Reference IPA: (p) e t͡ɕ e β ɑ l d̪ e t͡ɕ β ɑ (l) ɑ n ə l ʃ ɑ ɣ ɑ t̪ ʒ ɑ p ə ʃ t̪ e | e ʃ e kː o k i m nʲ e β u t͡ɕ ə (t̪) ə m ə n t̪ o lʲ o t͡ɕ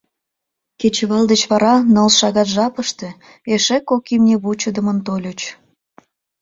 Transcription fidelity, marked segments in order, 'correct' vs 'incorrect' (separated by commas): incorrect, incorrect, incorrect